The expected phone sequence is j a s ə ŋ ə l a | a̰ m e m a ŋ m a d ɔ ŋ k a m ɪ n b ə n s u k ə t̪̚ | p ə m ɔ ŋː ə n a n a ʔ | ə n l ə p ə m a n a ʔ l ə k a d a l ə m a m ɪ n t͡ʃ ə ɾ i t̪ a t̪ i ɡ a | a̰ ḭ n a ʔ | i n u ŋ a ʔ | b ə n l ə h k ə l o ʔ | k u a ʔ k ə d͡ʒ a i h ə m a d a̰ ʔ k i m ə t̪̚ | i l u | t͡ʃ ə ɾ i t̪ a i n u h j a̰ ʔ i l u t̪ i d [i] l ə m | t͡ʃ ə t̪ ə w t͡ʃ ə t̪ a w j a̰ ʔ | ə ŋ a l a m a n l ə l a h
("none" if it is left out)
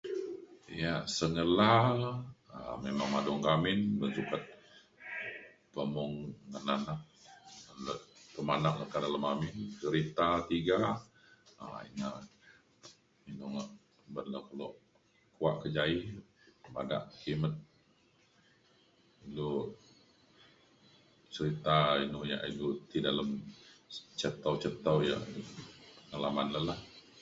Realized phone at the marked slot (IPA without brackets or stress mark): a